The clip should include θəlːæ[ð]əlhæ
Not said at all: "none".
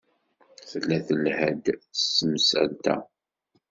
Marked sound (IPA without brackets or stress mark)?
θ